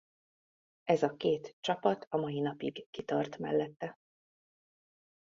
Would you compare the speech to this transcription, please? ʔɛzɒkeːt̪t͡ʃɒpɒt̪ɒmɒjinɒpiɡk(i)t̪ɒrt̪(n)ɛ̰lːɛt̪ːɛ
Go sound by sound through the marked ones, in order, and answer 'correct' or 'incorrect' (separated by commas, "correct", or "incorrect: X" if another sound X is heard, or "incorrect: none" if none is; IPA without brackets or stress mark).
correct, incorrect: m